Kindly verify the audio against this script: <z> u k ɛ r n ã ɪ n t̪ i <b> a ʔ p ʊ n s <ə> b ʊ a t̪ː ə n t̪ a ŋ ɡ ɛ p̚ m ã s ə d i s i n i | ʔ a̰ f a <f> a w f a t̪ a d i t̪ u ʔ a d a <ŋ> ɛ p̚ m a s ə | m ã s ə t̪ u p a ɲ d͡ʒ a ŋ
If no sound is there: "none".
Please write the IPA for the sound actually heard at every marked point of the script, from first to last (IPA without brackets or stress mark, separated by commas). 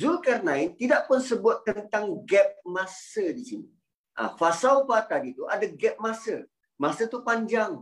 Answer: z, d, ə, s, ɡ